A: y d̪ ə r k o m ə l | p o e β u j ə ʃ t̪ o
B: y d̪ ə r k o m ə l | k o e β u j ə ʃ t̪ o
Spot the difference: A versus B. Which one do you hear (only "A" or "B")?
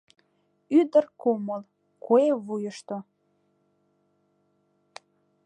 B